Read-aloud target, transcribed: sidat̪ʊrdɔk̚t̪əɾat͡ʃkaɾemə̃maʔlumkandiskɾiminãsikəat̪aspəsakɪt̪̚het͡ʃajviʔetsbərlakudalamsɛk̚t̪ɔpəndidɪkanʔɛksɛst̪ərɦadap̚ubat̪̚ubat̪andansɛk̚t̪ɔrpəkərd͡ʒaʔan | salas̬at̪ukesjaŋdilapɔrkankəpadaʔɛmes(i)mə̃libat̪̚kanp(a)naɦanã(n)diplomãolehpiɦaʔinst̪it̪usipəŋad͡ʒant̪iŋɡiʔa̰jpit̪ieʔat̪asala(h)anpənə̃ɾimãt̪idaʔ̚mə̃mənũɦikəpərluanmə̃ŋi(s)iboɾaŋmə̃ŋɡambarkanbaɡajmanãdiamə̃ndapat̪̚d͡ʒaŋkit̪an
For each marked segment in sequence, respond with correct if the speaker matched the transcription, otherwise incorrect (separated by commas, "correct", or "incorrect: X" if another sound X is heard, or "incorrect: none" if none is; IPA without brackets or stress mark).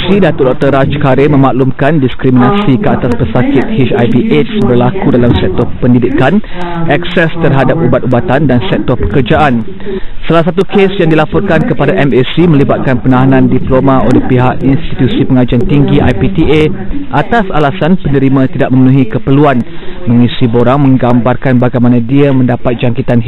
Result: correct, incorrect: ə, correct, incorrect: s, correct